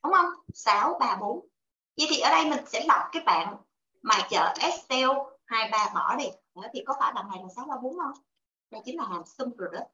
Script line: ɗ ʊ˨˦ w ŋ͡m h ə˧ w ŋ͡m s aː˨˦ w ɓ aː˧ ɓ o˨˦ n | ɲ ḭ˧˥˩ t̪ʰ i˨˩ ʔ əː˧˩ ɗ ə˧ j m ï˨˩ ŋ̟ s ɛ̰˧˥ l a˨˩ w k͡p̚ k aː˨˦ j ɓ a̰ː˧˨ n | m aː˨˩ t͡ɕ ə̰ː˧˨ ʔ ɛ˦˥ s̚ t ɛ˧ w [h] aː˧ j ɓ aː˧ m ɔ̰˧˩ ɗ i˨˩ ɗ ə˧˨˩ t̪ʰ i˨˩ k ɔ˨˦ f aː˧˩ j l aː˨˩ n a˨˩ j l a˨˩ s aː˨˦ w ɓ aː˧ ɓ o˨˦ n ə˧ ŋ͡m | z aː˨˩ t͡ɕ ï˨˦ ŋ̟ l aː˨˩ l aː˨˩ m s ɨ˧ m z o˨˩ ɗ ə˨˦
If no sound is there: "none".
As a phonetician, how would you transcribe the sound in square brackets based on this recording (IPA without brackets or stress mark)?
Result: h